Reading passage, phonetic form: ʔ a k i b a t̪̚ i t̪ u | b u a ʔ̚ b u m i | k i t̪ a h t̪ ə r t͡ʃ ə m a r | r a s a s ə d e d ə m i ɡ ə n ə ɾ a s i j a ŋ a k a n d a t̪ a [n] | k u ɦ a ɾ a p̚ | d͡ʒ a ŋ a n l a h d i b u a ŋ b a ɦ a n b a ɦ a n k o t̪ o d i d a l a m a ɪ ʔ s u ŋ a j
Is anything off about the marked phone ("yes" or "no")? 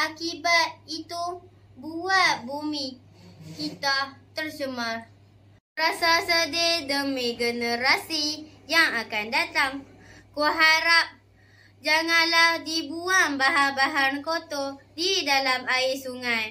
yes